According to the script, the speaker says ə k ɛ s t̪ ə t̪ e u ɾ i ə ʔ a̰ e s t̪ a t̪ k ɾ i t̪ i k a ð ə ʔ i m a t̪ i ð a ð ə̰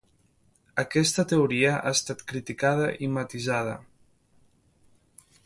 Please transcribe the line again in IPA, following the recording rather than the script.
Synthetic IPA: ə k ɛ s t̪ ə t̪ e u ɾ i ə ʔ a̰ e s t̪ a t̪ k ɾ i t̪ i k a ð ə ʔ i m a t̪ i z a ð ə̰